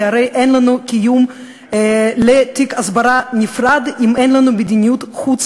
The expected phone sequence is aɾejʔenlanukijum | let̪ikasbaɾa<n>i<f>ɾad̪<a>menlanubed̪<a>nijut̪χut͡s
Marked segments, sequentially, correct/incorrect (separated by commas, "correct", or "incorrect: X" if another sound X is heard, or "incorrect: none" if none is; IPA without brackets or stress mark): correct, correct, incorrect: i, incorrect: i